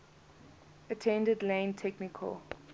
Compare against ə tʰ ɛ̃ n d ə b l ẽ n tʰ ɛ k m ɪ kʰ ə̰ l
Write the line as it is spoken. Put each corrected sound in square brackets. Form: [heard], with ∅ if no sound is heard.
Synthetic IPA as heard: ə tʰ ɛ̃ n d ə [d] l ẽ n tʰ ɛ k [n] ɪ kʰ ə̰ l